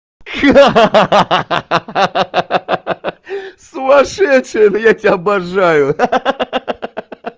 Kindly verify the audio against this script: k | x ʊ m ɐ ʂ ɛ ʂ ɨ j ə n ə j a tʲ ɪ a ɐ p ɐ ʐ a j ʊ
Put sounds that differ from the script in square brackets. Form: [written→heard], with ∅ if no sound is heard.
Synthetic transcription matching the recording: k | [x→s] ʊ m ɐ ʂ ɛ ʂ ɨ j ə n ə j a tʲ ɪ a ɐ [p→b] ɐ ʐ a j ʊ